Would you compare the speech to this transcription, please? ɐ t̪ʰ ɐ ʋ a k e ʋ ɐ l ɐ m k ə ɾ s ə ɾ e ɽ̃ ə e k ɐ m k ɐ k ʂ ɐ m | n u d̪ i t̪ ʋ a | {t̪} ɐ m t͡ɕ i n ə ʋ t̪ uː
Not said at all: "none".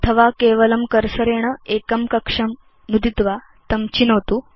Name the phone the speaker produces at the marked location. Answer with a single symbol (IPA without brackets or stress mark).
t̪